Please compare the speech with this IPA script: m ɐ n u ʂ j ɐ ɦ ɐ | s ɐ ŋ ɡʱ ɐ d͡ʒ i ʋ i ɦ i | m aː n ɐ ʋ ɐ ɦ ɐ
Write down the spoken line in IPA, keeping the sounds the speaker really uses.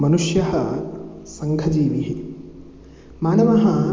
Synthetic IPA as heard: m ɐ n u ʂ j ɐ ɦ ɐ | s ɐ ŋ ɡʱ ɐ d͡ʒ iː ʋ i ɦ i | m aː n ɐ ʋ ɐ ɦ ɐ